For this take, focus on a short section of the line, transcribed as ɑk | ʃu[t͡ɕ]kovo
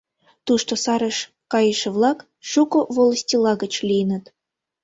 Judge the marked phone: incorrect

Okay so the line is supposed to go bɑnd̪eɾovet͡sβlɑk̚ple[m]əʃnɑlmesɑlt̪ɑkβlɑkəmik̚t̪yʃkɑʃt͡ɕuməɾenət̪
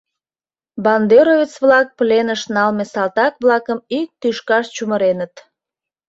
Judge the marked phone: incorrect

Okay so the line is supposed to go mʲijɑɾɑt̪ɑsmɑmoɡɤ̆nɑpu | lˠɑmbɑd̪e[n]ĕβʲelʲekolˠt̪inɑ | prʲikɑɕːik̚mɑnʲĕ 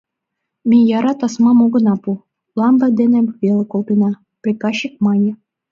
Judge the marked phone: correct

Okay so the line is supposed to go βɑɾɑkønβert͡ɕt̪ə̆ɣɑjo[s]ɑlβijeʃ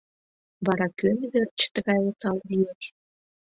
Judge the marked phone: incorrect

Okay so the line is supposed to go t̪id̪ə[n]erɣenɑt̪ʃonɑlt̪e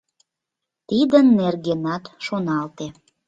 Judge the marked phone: incorrect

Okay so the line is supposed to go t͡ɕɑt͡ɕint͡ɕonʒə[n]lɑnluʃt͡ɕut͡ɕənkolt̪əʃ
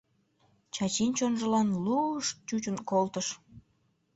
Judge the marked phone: incorrect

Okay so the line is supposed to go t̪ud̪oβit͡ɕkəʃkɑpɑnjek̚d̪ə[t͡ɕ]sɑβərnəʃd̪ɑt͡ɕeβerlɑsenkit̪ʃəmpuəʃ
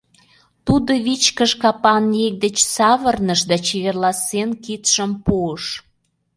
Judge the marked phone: correct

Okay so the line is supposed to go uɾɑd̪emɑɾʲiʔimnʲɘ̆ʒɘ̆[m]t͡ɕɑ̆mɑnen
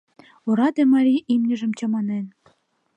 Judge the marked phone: correct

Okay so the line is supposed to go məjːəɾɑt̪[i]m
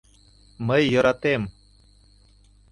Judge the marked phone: incorrect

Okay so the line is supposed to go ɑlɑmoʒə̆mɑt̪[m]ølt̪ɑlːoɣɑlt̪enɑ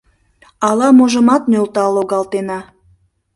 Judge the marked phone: incorrect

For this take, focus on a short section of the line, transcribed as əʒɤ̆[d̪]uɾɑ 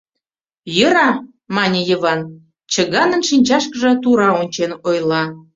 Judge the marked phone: incorrect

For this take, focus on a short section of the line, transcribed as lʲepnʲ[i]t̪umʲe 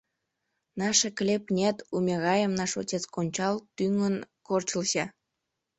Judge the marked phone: incorrect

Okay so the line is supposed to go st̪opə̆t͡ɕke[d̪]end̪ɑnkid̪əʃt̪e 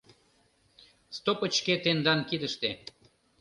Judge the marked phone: incorrect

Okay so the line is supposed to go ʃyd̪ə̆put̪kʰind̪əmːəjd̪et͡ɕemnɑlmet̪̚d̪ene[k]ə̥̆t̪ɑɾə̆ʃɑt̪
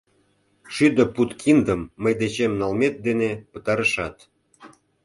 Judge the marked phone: incorrect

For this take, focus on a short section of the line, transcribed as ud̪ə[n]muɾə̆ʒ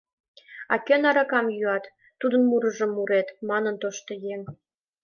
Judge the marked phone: correct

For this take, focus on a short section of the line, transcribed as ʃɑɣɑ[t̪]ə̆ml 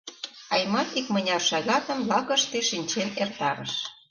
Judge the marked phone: correct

